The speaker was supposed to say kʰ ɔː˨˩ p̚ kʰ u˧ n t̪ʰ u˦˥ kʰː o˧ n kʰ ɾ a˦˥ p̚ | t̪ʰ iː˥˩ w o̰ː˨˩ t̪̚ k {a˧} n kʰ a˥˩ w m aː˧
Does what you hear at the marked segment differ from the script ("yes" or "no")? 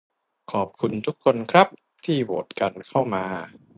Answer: no